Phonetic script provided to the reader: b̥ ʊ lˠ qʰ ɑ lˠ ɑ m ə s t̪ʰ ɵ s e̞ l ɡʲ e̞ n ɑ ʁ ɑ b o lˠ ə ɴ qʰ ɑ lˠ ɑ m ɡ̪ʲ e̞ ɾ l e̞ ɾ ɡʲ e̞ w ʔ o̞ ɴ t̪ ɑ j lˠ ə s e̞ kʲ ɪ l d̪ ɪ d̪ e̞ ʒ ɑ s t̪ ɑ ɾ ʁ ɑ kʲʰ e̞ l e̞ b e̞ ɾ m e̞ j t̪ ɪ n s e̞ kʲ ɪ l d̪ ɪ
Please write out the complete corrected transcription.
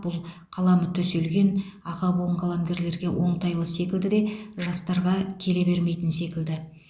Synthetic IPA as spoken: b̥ ʊ lˠ qʰ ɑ lˠ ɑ m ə t̪ʰ ɵ s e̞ l ɡʲ e̞ n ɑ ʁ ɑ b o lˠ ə ɴ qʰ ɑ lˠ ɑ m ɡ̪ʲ e̞ ɾ l e̞ ɾ ɡʲ e̞ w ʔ o̞ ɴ t̪ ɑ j lˠ ə s e̞ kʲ ɪ l d̪ ɪ d̪ e̞ ʒ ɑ s t̪ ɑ ɾ ʁ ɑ kʲʰ e̞ l e̞ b e̞ ɾ m e̞ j t̪ ɪ n s e̞ kʲ ɪ l d̪ ɪ